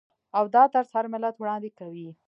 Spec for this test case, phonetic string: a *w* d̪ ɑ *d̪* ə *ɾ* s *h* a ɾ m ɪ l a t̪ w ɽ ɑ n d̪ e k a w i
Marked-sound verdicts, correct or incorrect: correct, incorrect: t̪, correct, correct

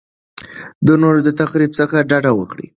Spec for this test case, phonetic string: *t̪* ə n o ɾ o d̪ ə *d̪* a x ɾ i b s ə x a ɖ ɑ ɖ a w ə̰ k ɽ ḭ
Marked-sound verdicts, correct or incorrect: incorrect: d̪, incorrect: t̪

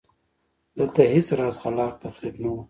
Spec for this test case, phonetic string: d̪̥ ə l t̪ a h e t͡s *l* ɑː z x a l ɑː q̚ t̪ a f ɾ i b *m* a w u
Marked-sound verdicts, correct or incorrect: incorrect: ɾ, incorrect: n

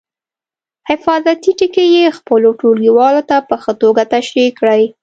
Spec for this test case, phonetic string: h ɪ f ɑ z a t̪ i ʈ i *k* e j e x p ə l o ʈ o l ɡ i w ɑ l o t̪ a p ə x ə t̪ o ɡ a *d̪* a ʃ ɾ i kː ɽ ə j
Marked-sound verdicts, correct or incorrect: correct, incorrect: t̪

